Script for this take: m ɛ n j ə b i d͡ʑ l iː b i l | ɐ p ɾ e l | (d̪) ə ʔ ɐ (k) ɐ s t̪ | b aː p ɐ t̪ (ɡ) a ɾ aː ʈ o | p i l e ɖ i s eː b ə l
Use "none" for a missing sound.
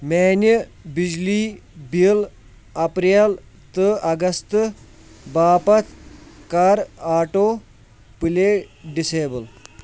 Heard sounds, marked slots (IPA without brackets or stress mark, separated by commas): t̪, ɡ, k